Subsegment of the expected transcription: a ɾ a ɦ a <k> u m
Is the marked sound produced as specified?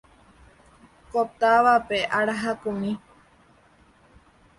yes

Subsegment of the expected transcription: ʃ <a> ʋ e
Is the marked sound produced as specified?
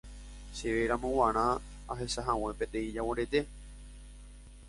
no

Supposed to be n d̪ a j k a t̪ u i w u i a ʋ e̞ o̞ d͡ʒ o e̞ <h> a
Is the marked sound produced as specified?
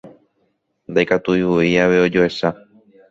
no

